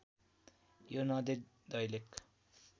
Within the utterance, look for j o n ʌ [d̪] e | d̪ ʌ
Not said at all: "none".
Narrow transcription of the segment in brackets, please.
d̪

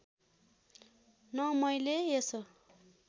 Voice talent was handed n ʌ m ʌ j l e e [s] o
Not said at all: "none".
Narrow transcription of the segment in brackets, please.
s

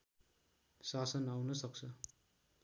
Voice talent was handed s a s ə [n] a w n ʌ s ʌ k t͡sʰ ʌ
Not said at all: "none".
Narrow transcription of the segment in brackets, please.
n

